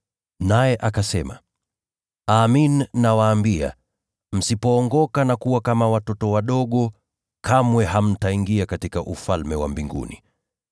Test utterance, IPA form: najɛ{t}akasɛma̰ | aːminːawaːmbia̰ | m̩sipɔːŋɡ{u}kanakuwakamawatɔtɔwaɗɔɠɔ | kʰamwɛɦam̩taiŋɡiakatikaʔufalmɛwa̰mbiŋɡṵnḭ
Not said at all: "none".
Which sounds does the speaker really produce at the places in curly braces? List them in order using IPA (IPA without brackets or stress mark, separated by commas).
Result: ʔ, ɔ